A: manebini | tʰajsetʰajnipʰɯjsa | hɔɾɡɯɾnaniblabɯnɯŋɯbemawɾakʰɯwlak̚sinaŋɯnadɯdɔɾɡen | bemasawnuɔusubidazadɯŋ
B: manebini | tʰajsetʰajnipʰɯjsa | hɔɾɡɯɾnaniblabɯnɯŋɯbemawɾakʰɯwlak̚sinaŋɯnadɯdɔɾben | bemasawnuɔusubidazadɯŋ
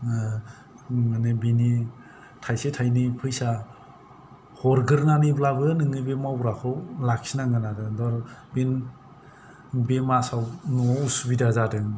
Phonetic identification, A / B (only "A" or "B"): B